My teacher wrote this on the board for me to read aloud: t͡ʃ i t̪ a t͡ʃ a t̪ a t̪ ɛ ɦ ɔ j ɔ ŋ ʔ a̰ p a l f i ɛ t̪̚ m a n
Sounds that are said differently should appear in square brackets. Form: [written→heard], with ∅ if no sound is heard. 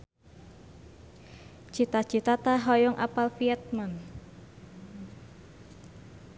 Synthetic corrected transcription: t͡ʃ i t̪ a t͡ʃ [a→i] t̪ a t̪ [ɛ→a] ɦ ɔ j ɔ ŋ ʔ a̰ p a l f i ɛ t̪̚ m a n